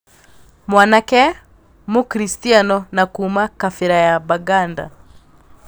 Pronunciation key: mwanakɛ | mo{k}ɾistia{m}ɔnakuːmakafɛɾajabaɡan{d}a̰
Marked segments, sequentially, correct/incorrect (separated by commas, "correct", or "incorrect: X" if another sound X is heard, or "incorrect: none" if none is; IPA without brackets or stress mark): correct, incorrect: n, correct